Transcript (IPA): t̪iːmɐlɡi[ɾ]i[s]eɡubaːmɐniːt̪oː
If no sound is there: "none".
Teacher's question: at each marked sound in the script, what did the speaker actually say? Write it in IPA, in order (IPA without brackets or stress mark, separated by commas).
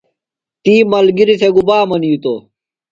ɾ, s